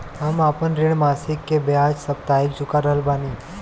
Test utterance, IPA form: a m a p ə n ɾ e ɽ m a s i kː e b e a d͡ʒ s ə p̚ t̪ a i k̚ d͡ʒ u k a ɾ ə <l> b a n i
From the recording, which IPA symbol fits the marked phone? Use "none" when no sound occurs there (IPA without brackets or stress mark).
l